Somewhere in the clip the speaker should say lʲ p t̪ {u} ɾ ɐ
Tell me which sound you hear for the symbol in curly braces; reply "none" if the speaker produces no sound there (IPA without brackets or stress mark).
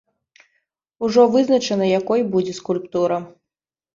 u